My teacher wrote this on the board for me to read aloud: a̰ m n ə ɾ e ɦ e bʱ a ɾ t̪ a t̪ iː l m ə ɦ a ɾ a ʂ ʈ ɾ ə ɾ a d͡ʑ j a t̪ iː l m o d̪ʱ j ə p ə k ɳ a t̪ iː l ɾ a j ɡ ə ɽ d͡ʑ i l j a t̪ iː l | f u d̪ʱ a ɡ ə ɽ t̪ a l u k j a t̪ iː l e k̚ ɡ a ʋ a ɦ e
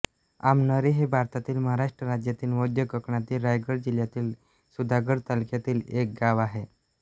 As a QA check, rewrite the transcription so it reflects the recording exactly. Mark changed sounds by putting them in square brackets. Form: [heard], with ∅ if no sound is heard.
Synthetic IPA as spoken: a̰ m n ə ɾ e ɦ e bʱ a ɾ t̪ a t̪ iː l m ə ɦ a ɾ a ʂ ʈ ɾ ə ɾ a d͡ʑ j a t̪ iː l m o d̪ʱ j ə [k] ə k ɳ a t̪ iː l ɾ a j ɡ ə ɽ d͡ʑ i l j a t̪ iː l | [s] u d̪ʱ a ɡ ə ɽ t̪ a l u k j a t̪ iː l e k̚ ɡ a ʋ a ɦ e